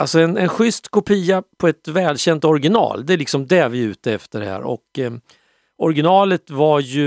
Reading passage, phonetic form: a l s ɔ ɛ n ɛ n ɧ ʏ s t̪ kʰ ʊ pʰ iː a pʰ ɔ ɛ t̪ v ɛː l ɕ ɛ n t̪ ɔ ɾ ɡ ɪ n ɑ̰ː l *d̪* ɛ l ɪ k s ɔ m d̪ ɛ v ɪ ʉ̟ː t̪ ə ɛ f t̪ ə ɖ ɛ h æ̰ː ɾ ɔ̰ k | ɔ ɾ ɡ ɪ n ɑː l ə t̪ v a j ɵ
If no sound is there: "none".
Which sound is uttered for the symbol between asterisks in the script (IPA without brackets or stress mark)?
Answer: d̪